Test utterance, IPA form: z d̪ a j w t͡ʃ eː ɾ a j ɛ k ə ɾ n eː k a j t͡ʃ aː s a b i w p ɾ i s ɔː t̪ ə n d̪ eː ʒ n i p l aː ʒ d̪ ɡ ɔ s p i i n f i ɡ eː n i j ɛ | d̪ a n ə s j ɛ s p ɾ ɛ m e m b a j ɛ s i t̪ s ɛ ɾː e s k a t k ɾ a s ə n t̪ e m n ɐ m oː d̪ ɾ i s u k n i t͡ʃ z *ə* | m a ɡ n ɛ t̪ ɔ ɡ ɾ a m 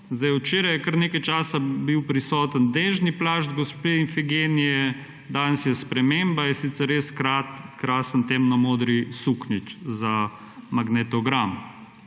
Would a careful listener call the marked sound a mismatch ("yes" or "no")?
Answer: yes